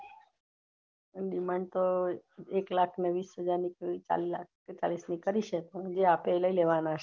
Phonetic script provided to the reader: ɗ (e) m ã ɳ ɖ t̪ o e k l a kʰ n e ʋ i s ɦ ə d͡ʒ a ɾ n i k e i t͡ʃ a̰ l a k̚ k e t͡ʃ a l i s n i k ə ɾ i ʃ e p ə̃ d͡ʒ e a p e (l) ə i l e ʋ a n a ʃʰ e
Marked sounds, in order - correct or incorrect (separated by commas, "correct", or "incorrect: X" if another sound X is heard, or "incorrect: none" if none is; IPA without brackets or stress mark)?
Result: incorrect: i, correct